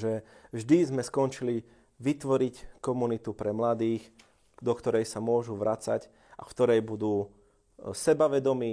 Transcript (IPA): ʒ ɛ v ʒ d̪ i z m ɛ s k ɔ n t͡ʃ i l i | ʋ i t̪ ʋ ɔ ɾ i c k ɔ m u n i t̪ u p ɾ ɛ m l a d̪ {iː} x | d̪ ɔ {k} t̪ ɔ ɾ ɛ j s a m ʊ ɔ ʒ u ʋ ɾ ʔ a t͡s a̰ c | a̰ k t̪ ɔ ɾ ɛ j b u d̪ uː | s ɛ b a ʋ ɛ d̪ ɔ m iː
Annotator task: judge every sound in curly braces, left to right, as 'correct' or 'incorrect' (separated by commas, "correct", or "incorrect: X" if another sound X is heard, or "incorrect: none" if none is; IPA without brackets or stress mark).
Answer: correct, correct